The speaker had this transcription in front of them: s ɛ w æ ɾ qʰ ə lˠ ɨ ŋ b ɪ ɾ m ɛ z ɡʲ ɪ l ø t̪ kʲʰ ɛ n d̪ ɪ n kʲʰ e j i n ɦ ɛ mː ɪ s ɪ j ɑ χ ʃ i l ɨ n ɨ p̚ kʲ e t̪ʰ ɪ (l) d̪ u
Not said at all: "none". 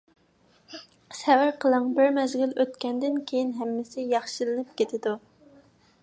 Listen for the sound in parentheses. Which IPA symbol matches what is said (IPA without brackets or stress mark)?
none